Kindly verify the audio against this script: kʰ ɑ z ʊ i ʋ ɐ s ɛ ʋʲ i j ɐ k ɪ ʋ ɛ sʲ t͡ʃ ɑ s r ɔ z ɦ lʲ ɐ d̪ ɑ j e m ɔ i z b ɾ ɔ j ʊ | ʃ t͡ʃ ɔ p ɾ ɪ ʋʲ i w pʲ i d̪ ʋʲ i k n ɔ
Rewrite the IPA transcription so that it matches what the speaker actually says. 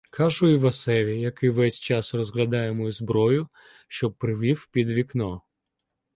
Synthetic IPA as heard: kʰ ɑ ʒ ʊ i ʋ ɐ s ɛ ʋʲ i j ɐ k ɪ ʋ ɛ sʲ t͡ʃ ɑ s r ɔ z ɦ lʲ ɐ d̪ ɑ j e m ɔ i z b ɾ ɔ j ʊ | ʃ t͡ʃ ɔ p ɾ ɪ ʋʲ i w pʲ i d̪ ʋʲ i k n ɔ